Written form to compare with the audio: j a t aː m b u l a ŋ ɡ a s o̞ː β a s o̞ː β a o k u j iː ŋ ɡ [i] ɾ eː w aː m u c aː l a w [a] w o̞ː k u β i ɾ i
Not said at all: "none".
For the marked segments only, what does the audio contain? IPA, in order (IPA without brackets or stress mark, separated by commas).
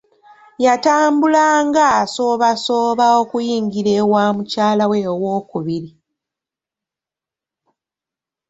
i, e